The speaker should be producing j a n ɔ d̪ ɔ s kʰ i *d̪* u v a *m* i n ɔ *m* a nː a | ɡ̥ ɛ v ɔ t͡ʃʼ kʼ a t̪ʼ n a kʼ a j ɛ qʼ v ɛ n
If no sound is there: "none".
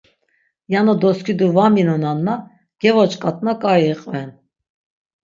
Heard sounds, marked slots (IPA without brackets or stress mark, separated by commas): d̪, m, n